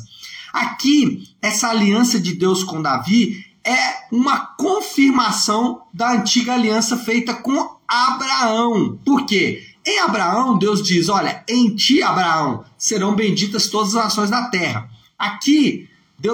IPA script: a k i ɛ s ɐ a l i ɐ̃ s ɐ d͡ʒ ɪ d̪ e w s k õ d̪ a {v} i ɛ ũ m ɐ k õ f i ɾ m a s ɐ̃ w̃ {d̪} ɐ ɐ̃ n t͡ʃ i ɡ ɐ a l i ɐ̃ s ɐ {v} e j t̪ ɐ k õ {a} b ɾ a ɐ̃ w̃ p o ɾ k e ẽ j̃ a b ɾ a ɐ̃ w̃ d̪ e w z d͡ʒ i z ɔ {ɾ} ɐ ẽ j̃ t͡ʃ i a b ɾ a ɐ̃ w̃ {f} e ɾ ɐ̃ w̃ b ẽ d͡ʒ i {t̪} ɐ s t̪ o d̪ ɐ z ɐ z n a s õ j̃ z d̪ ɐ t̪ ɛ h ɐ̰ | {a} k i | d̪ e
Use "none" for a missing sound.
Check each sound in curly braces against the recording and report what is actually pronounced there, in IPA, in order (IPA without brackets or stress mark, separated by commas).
v, d̪, f, a, ʎ, s, t̪, a